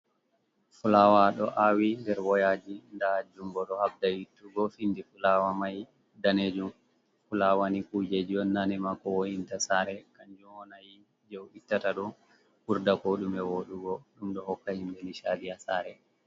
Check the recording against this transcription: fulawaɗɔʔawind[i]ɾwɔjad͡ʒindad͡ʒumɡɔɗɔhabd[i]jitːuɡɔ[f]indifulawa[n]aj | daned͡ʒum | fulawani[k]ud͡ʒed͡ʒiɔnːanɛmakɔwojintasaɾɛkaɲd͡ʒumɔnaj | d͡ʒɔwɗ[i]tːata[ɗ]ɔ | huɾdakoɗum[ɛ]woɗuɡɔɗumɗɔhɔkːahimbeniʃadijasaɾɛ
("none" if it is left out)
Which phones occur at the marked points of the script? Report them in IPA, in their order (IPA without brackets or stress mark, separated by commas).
ɛ, a, f, m, k, i, ɗ, ɛ